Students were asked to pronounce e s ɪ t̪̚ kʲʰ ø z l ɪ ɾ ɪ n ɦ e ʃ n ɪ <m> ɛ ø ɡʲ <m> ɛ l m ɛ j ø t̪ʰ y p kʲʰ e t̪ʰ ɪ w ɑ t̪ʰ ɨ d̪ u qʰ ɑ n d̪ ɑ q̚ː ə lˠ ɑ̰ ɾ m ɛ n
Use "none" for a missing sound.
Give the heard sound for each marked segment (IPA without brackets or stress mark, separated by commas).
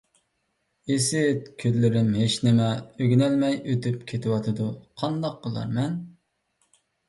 m, n